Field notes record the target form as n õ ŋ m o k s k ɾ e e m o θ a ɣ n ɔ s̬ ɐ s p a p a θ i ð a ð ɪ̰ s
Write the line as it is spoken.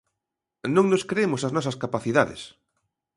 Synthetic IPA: n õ ŋ n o s k ɾ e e m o s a z n ɔ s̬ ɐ s k a p a θ i ð a ð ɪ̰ s